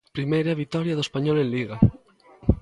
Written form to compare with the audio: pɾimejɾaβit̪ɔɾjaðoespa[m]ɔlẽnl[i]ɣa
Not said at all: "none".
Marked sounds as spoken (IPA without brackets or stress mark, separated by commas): ɲ, i